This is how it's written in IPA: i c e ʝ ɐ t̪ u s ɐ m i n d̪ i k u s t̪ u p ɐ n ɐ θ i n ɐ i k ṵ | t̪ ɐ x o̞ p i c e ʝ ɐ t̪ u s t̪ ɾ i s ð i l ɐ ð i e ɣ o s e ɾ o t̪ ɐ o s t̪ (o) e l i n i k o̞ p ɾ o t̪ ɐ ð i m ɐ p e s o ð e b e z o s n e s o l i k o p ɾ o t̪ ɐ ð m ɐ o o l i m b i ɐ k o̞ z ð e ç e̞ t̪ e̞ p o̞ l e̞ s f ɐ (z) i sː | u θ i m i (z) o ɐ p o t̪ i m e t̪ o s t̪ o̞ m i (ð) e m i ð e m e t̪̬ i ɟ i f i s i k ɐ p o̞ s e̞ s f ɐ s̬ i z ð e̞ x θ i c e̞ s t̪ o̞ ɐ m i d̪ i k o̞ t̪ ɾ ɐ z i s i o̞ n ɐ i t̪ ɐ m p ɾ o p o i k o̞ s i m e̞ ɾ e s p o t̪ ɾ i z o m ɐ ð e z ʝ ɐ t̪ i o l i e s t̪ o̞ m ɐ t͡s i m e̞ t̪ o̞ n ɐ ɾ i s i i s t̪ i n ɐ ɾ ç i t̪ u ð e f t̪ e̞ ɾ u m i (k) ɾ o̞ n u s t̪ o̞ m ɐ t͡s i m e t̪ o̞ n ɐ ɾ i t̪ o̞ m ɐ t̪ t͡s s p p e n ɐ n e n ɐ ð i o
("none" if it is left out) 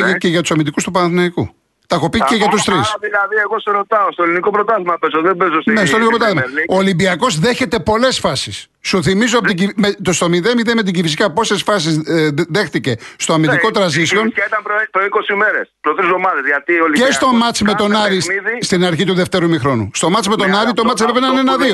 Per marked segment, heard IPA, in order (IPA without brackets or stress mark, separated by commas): o, s, z, ð, x